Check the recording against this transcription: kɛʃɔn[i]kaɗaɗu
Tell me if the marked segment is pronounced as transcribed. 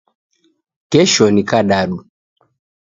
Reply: yes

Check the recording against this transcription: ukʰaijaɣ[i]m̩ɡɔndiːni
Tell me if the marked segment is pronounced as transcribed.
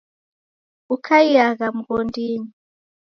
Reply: no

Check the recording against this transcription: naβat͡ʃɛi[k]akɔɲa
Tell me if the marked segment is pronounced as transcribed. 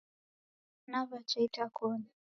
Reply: no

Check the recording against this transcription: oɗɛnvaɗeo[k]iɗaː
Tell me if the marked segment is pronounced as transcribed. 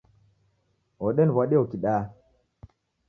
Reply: yes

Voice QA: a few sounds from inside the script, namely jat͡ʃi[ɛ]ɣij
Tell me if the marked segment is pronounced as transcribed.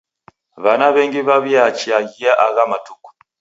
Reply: no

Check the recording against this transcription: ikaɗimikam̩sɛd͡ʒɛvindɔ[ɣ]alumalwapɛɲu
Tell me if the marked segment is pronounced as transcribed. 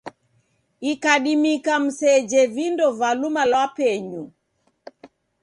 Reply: no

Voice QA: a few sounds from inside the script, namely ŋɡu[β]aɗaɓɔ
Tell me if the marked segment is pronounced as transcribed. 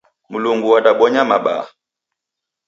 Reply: no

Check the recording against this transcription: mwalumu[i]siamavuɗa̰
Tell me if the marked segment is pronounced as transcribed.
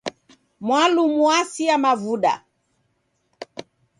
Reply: no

